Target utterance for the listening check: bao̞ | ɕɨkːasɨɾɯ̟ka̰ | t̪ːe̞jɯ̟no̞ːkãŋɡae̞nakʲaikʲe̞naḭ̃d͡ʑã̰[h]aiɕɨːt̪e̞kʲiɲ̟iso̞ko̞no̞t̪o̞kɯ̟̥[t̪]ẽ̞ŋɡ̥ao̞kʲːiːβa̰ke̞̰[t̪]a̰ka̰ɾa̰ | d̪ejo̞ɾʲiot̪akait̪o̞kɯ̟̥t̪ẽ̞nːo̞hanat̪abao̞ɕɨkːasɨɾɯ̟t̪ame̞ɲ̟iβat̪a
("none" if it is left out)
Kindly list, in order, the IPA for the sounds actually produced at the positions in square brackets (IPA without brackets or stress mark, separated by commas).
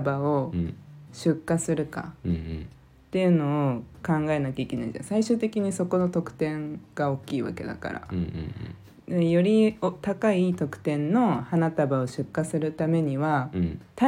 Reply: s, t̪, d̪